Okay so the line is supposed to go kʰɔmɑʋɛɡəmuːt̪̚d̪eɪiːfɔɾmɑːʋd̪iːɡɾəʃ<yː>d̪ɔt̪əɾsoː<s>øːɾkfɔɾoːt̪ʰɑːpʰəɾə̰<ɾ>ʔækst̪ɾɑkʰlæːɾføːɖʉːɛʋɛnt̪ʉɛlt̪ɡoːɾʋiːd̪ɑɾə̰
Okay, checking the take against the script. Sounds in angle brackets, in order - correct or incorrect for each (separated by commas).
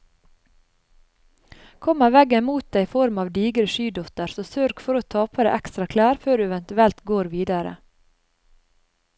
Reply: correct, correct, incorrect